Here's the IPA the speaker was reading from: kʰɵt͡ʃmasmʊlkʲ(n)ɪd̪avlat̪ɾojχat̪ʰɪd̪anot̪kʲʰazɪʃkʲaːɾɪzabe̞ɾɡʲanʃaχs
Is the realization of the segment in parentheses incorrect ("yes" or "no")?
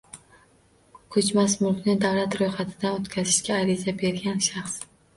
no